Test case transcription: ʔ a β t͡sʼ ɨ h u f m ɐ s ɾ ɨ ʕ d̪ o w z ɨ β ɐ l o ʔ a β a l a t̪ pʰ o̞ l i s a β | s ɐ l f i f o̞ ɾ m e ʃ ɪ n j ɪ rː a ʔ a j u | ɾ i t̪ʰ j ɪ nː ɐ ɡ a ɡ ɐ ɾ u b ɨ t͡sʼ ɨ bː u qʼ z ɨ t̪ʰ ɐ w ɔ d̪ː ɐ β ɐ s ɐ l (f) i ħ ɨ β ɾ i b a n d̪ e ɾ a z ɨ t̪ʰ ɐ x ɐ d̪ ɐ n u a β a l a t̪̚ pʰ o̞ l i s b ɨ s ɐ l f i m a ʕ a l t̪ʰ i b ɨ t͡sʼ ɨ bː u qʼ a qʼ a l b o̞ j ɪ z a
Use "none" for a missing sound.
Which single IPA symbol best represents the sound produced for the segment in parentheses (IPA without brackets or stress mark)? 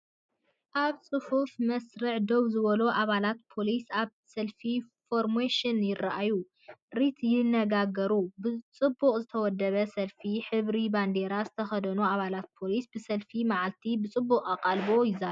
f